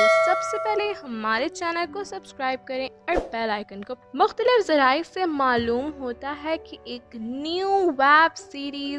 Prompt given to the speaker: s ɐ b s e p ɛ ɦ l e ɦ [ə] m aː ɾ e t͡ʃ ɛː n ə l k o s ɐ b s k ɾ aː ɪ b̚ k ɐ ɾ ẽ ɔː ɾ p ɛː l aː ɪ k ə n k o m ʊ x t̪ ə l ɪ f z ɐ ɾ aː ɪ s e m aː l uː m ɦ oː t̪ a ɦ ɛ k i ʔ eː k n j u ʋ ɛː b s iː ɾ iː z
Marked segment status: incorrect: ɐ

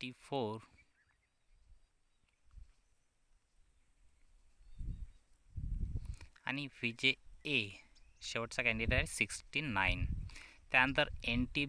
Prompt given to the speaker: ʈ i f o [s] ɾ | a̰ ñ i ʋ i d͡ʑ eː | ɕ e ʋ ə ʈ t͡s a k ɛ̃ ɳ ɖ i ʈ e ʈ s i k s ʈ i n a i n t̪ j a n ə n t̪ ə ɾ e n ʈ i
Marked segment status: incorrect: none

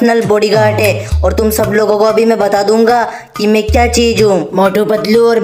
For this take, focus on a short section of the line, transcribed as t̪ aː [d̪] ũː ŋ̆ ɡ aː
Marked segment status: correct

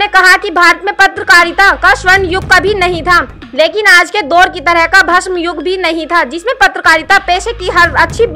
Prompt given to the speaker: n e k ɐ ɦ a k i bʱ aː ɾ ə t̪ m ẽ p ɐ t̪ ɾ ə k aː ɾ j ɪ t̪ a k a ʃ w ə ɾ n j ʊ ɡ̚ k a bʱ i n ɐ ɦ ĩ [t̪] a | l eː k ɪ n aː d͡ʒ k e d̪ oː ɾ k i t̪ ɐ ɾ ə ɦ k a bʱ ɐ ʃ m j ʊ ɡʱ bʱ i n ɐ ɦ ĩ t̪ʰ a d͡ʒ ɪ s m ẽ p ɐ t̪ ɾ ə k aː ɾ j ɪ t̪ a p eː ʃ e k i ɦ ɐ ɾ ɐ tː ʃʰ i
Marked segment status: incorrect: t̪ʰ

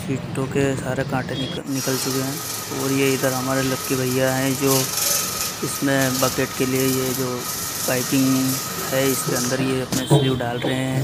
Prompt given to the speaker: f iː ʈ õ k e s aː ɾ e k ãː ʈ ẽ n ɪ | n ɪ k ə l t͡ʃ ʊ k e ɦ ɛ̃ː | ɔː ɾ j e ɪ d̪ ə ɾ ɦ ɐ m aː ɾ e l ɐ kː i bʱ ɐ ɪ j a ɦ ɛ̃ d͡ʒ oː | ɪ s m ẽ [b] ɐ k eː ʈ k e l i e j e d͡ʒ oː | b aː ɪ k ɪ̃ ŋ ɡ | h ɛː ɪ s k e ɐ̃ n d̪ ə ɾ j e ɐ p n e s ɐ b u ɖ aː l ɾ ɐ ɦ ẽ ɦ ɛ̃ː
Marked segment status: correct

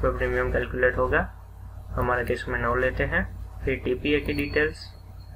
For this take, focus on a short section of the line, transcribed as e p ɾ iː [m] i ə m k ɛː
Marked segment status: correct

